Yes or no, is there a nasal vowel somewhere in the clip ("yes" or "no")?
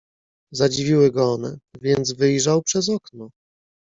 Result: no